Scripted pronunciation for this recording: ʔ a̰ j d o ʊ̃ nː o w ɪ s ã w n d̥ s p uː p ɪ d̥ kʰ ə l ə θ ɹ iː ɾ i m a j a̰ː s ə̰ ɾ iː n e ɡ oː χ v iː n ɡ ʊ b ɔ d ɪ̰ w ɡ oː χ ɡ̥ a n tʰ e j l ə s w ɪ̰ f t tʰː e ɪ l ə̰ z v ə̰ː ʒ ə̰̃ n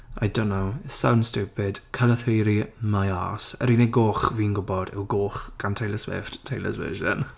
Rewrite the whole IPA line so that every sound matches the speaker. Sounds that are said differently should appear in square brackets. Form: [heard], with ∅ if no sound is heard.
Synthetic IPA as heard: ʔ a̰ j d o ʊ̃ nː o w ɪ s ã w n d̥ s [t] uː p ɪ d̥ kʰ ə l ə θ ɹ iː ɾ i m a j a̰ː s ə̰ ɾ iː n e ɡ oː χ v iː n ɡ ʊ b ɔ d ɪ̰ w ɡ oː χ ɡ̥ a n tʰ e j l ə s w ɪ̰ f t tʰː e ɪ l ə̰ z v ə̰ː ʒ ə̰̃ n